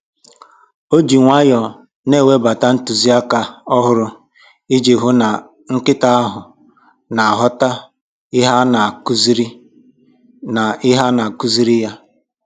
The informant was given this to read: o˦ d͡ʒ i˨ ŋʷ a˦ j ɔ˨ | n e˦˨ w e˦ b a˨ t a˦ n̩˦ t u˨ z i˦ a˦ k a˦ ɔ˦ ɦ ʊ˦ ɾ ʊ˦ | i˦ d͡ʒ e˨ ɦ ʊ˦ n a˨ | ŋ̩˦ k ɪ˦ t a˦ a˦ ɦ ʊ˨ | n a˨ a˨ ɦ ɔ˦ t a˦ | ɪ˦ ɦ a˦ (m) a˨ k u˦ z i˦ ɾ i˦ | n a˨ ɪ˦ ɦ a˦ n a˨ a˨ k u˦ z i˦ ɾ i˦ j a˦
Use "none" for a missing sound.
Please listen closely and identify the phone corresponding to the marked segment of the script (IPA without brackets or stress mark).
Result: n